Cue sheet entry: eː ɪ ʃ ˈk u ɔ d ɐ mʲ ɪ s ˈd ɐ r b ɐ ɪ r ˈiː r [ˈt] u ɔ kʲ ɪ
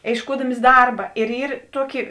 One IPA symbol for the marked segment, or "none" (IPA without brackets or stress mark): t